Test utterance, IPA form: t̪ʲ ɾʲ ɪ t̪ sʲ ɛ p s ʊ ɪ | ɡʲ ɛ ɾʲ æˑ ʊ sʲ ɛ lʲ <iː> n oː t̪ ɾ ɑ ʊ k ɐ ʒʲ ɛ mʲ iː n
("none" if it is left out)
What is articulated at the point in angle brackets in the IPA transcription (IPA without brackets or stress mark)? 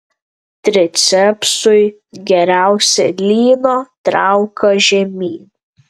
iː